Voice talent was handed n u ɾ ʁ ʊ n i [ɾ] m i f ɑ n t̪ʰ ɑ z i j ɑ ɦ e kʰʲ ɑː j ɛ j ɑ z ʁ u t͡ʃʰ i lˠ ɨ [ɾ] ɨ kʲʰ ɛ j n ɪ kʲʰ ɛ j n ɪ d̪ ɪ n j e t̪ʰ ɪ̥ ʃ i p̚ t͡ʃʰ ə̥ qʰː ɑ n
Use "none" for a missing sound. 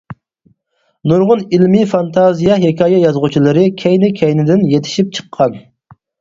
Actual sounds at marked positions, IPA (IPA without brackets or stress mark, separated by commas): l, ɾ